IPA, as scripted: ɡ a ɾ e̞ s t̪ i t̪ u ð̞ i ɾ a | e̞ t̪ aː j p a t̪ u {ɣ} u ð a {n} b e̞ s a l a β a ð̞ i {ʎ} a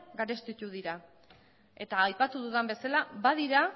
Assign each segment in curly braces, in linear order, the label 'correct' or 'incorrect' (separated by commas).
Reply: incorrect, incorrect, incorrect